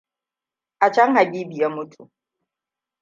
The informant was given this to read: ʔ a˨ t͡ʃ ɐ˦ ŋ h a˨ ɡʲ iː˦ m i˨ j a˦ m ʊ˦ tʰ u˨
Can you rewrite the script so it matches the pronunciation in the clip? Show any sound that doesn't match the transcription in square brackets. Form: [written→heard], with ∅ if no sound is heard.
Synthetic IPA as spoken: ʔ a˨ t͡ʃ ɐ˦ ŋ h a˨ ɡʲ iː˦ [m→b] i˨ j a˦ m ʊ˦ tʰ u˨